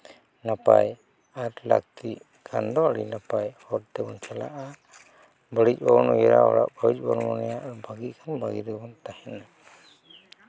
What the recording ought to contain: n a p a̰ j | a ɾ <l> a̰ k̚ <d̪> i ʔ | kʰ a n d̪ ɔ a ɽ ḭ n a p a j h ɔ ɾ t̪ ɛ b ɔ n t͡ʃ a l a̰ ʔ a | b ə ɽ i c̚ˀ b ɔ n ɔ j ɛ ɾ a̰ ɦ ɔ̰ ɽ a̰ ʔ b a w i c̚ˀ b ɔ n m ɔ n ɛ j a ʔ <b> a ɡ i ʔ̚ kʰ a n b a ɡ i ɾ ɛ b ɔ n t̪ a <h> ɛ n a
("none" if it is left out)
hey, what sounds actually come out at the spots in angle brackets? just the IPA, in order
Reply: l, t̪, b, h

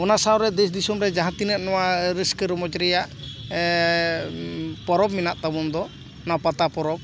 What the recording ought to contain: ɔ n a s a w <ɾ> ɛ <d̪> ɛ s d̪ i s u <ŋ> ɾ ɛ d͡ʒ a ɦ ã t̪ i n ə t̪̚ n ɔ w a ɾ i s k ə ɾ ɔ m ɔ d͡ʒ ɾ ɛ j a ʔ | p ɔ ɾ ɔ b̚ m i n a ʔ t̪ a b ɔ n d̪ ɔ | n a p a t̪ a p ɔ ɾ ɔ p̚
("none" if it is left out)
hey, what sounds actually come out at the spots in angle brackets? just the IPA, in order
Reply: ɾ, d̪, m

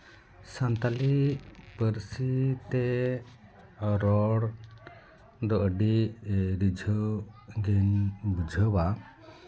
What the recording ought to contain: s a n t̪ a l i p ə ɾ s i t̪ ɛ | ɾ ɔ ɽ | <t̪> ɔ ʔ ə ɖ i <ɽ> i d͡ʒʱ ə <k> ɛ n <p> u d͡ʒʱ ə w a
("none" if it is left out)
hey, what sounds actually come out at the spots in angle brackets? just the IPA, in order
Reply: d̪, ɾ, ɡ, b

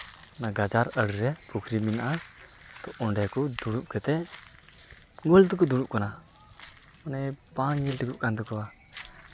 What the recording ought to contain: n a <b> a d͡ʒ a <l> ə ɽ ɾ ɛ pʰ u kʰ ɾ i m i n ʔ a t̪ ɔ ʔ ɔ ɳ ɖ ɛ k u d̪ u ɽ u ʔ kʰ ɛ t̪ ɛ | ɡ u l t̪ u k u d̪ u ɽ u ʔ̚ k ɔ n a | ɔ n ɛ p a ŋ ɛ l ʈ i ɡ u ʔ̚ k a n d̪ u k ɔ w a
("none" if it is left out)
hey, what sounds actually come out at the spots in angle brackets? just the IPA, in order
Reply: ɡ, ɾ

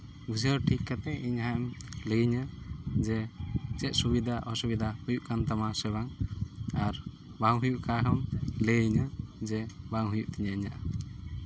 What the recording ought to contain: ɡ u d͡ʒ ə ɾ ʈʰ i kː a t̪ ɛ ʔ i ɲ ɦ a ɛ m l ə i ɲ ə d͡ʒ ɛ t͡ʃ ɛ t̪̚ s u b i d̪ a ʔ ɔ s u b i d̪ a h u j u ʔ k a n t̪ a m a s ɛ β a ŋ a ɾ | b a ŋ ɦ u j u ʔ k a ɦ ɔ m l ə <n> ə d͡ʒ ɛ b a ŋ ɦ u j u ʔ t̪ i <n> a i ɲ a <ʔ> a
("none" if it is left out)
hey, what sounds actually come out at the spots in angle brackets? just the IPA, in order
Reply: ɲ, ɲ, ʔ

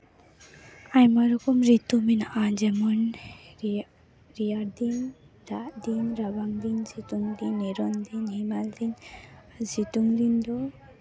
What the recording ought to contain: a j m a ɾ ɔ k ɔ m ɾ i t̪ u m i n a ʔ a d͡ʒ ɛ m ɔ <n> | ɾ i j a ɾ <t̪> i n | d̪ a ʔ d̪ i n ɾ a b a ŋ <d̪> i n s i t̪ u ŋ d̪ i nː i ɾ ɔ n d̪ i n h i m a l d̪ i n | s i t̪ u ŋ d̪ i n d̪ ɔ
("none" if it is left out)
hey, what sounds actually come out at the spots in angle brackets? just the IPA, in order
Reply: n, d̪, d̪

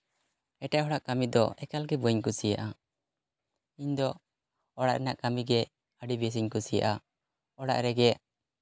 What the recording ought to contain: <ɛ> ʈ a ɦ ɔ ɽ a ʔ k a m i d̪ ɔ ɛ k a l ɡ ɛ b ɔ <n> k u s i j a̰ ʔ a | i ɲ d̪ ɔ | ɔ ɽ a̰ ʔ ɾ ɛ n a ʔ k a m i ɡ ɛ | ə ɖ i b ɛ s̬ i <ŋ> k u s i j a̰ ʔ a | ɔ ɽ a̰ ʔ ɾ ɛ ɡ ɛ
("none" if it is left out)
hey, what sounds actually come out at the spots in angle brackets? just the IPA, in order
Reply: ɛ, ɲ, ɲ

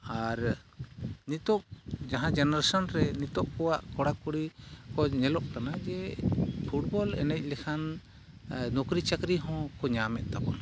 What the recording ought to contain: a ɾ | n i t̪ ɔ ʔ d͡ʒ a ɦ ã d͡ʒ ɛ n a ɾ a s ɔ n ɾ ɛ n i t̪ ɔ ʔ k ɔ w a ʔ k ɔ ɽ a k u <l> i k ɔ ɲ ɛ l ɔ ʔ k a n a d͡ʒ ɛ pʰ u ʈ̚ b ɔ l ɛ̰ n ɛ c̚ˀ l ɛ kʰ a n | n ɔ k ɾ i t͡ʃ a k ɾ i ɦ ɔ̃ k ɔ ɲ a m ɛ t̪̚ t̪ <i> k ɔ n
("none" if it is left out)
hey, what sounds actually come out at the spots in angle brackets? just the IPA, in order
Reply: ɽ, a

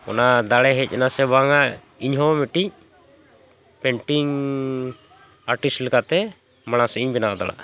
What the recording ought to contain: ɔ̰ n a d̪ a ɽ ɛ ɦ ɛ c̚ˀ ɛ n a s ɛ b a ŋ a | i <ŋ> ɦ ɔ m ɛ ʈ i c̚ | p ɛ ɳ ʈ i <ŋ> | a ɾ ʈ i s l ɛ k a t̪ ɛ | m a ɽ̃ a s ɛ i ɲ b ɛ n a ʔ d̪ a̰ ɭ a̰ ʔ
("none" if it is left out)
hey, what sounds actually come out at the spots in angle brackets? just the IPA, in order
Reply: ɲ, ŋ

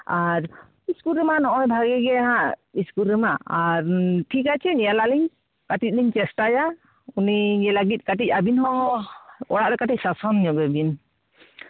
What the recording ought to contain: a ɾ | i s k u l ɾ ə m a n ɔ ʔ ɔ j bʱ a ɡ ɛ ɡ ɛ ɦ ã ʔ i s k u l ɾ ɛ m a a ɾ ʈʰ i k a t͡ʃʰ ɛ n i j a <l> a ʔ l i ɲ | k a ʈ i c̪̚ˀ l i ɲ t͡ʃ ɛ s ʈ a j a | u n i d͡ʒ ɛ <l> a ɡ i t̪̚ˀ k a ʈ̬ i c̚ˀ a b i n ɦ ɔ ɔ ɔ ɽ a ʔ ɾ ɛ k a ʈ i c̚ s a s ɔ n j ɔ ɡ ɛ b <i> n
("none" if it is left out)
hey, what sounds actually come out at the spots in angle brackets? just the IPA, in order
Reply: l, l, i

